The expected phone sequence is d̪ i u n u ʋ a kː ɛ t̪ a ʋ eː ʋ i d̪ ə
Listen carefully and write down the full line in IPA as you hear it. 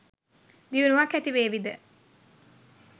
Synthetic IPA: d̪ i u n u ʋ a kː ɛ t̪ i ʋ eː ʋ i d̪ ə